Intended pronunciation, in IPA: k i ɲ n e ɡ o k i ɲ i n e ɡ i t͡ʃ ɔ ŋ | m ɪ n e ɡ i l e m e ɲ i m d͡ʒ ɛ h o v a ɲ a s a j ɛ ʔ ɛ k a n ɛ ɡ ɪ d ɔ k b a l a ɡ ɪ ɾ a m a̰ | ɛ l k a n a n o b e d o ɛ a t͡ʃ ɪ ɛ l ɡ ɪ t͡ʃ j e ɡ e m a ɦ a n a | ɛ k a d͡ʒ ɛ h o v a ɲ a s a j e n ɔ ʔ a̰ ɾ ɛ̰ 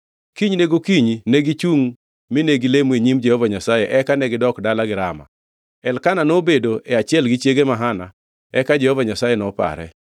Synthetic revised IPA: k i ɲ n e ɡ o k i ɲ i n e ɡ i t͡ʃ u ŋ | m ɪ n e ɡ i l e m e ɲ i m d͡ʒ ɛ h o v a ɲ a s a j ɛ ʔ ɛ k a n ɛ ɡ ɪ d ɔ k d a l a ɡ ɪ ɾ a m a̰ | ɛ l k a n a n o b e d o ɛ a t͡ʃ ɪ ɛ l ɡ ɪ t͡ʃ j e ɡ e m a ɦ a n a | ɛ k a d͡ʒ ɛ h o v a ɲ a s a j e n ɔ p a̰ ɾ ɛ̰